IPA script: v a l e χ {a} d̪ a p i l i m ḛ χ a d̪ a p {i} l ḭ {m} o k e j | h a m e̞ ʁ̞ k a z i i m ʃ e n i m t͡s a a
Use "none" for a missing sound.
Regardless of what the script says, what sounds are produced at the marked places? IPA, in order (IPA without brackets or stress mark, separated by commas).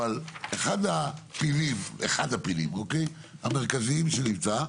a, i, m